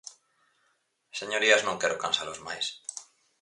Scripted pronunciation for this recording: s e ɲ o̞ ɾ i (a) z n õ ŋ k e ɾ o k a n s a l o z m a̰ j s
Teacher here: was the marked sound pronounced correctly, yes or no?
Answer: yes